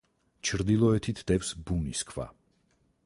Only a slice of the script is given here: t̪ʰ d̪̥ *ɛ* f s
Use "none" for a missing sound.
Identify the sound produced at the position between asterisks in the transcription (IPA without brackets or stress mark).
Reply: ɛ